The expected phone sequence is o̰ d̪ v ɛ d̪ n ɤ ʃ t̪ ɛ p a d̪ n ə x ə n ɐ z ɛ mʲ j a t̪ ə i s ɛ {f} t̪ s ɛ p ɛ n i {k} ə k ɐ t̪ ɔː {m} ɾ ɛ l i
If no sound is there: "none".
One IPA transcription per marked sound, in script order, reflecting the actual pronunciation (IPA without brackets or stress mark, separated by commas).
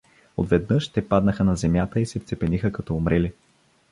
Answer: f, x, m